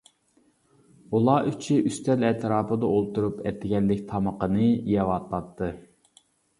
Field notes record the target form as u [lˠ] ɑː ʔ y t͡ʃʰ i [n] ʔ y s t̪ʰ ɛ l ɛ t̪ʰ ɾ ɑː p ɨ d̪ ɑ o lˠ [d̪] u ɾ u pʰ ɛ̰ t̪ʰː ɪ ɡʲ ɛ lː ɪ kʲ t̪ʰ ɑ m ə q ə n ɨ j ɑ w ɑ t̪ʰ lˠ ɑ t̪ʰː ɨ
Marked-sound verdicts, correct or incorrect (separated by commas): correct, incorrect, incorrect